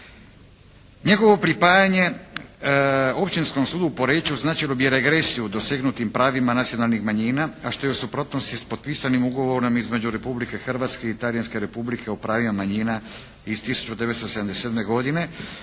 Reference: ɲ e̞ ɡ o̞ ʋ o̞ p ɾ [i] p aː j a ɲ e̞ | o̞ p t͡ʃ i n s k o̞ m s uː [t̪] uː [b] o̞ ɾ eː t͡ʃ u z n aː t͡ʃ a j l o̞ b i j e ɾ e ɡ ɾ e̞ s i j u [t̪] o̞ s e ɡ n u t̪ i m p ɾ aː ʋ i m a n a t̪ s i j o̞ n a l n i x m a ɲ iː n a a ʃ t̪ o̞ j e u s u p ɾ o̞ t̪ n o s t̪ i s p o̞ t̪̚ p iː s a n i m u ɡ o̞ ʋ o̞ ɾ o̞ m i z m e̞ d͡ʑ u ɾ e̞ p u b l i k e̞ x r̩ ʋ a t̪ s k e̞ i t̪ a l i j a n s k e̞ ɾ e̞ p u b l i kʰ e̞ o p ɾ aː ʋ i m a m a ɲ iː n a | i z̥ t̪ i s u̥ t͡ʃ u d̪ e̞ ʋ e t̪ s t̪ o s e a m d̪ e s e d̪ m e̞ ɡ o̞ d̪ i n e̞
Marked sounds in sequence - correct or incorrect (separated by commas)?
correct, incorrect, incorrect, incorrect